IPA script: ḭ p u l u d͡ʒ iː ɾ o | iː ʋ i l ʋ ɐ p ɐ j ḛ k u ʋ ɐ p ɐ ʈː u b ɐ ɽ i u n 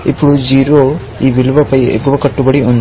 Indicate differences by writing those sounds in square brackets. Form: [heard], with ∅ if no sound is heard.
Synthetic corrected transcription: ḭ p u [ɽ] u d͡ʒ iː ɾ o | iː ʋ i l ʋ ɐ p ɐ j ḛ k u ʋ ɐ [k] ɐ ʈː u b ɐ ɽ i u n